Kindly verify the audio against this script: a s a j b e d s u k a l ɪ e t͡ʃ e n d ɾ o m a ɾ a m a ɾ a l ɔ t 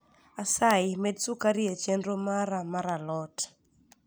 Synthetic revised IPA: a s a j m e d s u k a ɾ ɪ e t͡ʃ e n d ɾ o m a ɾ a m a ɾ a l ɔ t